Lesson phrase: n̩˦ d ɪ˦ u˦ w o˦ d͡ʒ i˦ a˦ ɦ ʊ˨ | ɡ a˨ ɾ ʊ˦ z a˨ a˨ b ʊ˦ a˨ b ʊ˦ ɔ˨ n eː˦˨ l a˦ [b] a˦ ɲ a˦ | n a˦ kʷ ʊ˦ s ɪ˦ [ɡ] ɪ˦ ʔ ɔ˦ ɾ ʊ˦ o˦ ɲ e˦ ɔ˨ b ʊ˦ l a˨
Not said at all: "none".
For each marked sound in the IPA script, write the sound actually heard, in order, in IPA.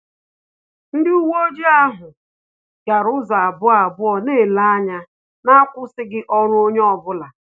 none, ɡ

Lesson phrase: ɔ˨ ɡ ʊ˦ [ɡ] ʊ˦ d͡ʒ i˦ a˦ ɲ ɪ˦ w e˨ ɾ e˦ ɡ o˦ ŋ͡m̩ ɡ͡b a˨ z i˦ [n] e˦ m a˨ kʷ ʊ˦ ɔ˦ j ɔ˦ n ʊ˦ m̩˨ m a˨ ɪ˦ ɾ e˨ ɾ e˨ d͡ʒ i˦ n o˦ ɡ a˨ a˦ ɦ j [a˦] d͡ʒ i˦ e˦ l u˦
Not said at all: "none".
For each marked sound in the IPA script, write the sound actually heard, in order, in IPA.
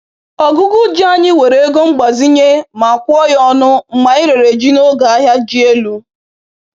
ɡ, ɲ, a˦

